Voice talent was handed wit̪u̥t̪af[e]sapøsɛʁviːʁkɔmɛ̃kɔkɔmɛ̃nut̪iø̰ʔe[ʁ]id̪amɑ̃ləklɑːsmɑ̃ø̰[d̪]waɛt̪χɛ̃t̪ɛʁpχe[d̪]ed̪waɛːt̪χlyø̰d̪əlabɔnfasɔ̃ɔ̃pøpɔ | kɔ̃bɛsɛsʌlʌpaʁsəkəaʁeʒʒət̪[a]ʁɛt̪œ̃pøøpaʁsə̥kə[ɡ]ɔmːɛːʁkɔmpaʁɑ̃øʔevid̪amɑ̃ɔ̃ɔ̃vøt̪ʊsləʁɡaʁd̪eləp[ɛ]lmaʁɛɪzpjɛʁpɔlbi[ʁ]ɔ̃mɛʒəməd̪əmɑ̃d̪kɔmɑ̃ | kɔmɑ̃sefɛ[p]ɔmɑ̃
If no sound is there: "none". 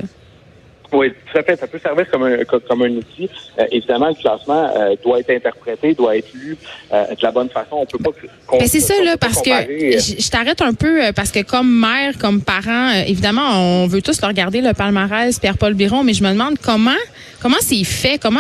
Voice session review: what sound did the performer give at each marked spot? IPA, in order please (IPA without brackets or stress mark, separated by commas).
ɛ, v, d̪, t̪, a, k, a, ʁ, k